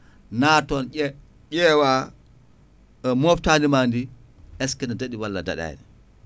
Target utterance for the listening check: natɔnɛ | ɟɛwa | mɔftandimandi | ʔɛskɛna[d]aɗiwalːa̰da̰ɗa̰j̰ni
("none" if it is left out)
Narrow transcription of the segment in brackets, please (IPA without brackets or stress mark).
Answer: d